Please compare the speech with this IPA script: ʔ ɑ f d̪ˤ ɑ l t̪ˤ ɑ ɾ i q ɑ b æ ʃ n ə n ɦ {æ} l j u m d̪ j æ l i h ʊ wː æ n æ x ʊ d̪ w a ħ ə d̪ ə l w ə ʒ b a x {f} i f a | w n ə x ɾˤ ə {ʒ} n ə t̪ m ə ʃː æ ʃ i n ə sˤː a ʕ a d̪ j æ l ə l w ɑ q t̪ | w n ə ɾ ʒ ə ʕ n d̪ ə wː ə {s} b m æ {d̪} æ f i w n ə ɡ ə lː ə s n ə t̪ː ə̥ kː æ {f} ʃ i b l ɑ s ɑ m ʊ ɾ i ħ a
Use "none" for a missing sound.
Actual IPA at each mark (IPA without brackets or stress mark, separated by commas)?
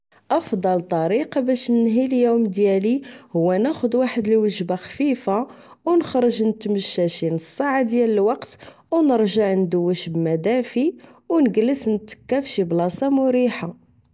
i, f, ʒ, ʃ, d̪, f